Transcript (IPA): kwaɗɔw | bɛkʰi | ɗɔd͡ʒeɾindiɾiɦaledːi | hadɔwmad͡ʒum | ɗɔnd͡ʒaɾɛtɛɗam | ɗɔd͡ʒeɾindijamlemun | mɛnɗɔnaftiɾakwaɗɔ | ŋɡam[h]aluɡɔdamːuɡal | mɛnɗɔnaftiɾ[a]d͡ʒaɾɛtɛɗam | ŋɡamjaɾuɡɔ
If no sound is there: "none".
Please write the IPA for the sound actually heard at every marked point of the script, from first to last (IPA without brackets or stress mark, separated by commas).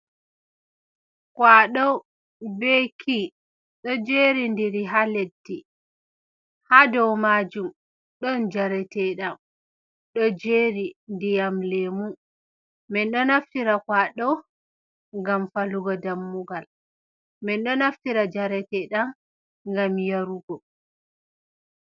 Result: f, a